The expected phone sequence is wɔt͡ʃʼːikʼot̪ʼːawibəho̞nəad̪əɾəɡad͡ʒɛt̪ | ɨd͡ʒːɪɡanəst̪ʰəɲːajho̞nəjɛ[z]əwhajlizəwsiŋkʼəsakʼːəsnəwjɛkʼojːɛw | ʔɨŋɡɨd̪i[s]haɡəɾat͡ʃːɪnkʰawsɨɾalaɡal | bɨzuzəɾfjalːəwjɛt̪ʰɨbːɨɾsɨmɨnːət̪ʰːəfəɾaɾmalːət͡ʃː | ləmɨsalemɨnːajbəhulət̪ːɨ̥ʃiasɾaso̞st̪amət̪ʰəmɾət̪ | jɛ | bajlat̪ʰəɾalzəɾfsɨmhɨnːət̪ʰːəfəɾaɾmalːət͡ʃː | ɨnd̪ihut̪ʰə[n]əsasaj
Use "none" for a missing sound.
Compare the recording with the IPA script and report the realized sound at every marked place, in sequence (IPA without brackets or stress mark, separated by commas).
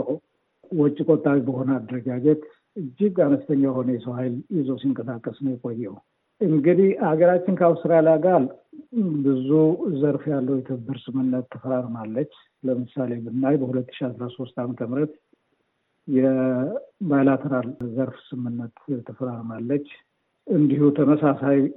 s, h, m